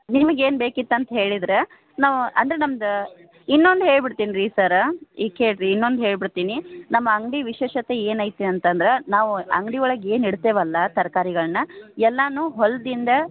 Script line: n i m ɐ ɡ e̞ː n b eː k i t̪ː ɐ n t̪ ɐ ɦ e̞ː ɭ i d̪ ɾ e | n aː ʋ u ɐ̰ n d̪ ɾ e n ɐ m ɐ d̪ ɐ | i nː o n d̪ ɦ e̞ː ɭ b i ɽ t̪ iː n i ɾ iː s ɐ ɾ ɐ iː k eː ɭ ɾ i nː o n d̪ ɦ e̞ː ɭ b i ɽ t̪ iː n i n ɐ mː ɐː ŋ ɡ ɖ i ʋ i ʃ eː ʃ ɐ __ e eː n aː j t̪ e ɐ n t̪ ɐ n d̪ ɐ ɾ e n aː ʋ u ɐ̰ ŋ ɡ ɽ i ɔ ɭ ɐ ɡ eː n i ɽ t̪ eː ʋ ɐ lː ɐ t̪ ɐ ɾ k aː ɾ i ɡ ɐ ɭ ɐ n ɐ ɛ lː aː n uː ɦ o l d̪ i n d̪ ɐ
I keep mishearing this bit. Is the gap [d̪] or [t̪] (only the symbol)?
t̪